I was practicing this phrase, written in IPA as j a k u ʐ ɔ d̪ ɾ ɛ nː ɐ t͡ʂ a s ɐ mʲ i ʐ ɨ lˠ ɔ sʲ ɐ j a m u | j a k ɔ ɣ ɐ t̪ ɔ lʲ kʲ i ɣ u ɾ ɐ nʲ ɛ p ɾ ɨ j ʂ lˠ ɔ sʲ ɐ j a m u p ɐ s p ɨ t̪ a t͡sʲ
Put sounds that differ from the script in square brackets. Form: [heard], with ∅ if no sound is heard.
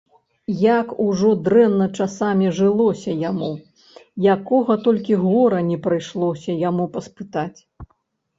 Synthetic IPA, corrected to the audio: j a k u ʐ ɔ d̪ ɾ ɛ nː ɐ t͡ʂ a s [a] mʲ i ʐ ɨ lˠ ɔ sʲ ɐ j a m u | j a k ɔ ɣ ɐ t̪ ɔ lʲ kʲ i ɣ [ɔ] ɾ ɐ nʲ ɛ p ɾ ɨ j ʂ lˠ ɔ sʲ ɐ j a m u p ɐ s p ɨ t̪ a t͡sʲ